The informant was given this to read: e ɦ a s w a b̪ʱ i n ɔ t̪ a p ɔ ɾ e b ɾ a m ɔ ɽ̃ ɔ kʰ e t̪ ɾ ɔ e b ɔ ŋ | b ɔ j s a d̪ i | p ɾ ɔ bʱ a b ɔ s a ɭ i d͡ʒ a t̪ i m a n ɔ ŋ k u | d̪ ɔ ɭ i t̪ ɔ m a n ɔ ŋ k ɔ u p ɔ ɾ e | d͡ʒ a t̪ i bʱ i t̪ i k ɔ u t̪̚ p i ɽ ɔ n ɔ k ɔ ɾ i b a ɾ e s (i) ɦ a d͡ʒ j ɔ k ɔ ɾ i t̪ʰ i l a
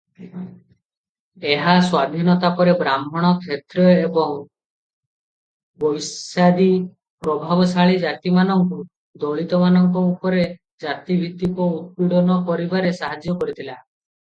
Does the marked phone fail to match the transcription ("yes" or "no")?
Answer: yes